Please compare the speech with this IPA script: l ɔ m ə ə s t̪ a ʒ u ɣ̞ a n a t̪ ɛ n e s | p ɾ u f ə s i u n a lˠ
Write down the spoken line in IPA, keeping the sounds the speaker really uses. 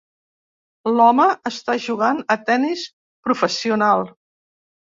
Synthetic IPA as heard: l ɔ m ə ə s t̪ a ʒ u ɣ̞ a n ə t̪ ɛ n i s | p ɾ u f ə s i u n a lˠ